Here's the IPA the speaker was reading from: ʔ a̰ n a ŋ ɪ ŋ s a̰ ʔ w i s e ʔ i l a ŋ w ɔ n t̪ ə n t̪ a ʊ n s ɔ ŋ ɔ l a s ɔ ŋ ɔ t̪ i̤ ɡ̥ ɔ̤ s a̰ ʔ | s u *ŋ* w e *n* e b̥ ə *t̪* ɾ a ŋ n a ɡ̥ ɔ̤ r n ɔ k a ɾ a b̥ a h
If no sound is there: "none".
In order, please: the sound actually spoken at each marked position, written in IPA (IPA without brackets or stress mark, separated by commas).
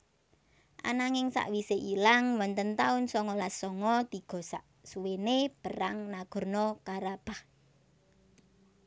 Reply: none, n, none